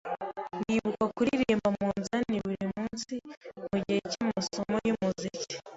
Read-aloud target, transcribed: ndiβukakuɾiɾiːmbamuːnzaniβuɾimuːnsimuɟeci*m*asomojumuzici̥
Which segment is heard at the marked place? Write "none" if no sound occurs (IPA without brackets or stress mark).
m